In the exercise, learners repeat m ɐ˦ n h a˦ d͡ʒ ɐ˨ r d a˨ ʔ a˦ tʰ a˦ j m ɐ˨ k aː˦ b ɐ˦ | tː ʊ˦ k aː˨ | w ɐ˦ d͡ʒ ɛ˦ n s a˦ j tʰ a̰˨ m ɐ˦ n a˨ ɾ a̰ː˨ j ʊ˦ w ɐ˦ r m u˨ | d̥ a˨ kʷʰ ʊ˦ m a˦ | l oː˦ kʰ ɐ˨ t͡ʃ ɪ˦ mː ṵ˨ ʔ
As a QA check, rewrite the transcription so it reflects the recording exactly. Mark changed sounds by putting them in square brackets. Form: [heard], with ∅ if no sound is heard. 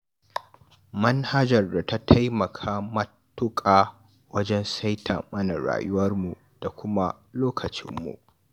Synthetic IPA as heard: m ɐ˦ n h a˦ d͡ʒ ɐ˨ r d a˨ [t] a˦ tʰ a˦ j m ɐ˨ [kʰ] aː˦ [m] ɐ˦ | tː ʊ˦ [kʼ] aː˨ | w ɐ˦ d͡ʒ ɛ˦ n s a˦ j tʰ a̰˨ m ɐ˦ n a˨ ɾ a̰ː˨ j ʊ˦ w ɐ˦ r m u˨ | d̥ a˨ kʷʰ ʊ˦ m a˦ | l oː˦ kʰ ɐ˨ t͡ʃ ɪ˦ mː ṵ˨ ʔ